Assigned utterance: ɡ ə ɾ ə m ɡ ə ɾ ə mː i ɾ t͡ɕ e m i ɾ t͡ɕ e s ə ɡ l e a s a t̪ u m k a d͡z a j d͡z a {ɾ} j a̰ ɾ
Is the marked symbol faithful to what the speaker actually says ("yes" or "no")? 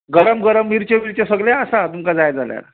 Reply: no